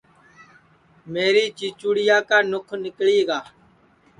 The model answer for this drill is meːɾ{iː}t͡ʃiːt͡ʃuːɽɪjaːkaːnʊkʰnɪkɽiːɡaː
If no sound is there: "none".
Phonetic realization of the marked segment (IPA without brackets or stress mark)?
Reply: iː